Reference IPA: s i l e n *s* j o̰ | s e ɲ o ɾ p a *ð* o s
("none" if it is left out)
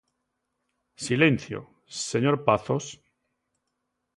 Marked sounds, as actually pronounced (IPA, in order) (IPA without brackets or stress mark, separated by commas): θ, θ